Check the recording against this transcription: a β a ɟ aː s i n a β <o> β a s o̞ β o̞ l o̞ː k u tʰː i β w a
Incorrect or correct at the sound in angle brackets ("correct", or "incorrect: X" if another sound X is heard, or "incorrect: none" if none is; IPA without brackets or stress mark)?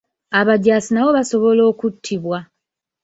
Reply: correct